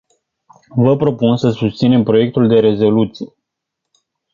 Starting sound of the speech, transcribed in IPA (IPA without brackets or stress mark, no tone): v